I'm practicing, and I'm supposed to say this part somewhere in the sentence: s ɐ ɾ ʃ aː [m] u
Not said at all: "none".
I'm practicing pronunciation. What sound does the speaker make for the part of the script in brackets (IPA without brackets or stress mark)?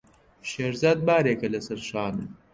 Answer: n